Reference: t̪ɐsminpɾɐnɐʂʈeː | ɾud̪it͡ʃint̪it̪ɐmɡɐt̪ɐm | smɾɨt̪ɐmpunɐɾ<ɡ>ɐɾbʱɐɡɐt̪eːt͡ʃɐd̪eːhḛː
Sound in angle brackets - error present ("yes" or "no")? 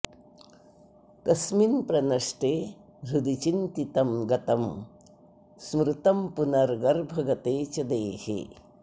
no